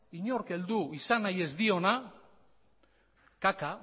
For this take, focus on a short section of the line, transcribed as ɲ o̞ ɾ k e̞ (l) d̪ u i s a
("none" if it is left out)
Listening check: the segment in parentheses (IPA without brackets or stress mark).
l